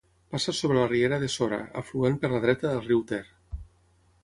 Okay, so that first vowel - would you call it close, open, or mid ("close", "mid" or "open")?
open